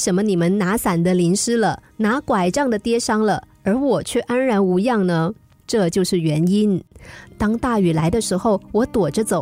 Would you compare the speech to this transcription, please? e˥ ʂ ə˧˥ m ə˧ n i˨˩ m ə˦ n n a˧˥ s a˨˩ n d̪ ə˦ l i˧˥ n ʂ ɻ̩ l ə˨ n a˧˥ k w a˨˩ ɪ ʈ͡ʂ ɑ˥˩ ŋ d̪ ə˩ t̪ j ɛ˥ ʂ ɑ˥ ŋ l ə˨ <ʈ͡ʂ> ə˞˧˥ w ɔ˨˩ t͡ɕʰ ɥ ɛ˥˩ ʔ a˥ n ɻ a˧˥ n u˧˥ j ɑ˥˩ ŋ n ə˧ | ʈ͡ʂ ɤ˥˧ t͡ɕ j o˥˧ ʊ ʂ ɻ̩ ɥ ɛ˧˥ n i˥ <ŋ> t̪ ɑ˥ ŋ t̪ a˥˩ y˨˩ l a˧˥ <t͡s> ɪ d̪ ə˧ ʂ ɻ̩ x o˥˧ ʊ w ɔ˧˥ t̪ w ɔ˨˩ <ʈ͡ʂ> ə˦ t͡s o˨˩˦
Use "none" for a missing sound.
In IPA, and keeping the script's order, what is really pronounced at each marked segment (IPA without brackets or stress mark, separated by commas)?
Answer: none, n, none, ʈ͡ʂ